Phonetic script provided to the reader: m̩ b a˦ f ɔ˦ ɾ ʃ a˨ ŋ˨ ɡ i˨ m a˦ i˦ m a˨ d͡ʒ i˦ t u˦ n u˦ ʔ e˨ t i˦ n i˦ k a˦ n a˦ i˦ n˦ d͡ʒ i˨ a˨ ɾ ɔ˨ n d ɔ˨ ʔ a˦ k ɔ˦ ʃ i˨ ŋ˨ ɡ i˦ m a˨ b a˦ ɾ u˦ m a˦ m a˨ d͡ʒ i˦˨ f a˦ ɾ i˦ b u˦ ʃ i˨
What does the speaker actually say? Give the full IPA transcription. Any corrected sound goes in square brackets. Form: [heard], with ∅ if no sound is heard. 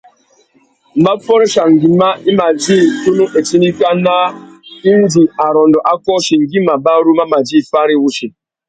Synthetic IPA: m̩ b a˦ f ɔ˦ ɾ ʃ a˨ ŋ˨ ɡ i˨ m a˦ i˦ m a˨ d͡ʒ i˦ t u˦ n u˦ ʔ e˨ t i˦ n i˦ k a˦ n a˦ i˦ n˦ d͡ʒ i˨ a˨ ɾ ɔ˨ n d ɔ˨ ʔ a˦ k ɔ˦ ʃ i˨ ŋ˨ ɡ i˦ m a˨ b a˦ ɾ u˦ m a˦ m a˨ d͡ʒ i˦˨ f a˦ ɾ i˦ [w] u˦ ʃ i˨